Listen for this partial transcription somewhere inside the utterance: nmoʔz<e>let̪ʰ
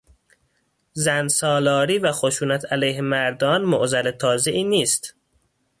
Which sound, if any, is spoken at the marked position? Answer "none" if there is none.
æ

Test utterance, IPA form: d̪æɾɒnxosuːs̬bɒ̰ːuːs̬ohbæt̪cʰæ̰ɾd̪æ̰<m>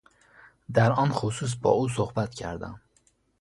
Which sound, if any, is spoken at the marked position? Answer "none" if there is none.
m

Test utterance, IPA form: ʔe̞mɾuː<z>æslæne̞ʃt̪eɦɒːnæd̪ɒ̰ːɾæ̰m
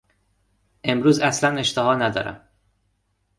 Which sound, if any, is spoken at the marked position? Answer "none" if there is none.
z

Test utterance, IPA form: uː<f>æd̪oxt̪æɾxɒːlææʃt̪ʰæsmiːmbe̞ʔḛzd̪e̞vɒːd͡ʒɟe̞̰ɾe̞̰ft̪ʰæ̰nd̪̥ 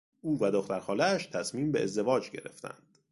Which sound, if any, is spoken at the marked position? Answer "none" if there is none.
v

